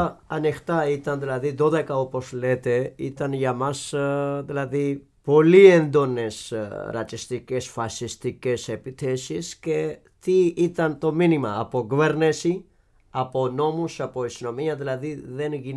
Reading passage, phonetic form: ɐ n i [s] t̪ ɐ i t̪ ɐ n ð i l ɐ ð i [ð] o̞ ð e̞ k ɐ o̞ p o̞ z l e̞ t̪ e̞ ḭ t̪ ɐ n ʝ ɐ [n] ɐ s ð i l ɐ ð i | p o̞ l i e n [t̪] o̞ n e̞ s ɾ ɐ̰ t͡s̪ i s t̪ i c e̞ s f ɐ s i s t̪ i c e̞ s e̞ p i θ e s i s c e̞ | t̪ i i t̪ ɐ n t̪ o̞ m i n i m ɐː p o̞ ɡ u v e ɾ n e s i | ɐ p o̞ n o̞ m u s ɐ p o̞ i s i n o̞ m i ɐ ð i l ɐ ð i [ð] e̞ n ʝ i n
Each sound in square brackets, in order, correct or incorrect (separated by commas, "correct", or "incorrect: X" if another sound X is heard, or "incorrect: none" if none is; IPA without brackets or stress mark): incorrect: x, correct, incorrect: m, incorrect: d̪, correct